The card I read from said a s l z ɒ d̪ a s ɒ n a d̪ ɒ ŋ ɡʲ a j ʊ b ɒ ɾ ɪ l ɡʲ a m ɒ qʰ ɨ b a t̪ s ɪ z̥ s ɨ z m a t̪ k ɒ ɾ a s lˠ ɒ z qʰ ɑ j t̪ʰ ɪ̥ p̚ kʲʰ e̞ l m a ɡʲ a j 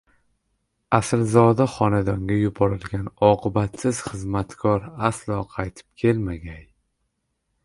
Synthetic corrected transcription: a s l z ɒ d̪ a χ ɒ n a d̪ ɒ ŋ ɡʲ a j ʊ b ɒ ɾ ɪ l ɡʲ a n ɒ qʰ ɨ b a t̪ s ɪ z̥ χ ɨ z m a t̪ kʰ ɒ ɾ a s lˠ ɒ qʰ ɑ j t̪ʰ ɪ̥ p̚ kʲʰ e̞ l m a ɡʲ a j

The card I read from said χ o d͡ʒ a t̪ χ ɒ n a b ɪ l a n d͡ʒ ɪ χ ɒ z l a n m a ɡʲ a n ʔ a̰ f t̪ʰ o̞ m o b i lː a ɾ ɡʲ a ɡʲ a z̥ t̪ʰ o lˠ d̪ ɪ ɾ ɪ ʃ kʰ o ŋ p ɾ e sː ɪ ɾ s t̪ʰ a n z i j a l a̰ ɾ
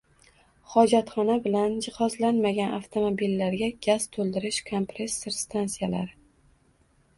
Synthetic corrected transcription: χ ɒ d͡ʒ a t̪ χ ɒ n a b ɪ l a n d͡ʒ ɪ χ ɒ z l a n m a ɡʲ a n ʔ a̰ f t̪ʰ o̞ m o b i lː a ɾ ɡʲ a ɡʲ a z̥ t̪ʰ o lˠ d̪ ɪ ɾ ɪ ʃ kʰ o m p ɾ e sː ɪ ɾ s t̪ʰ a n s i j a l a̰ ɾ

